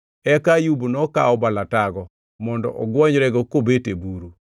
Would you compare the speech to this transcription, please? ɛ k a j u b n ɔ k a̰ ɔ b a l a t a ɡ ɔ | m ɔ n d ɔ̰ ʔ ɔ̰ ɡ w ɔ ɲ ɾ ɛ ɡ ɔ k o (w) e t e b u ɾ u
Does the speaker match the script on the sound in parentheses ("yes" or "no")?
no